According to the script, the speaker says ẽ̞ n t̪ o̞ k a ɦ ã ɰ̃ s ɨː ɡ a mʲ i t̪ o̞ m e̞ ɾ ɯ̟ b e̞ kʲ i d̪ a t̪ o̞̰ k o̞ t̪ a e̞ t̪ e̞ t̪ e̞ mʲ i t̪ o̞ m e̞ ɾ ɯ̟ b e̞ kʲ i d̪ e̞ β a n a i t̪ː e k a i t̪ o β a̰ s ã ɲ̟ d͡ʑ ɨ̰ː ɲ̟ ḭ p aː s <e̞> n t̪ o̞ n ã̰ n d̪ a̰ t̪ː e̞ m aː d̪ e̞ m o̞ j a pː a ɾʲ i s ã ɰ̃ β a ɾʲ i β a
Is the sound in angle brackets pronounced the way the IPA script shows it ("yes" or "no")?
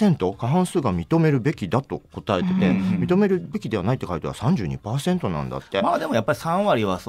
no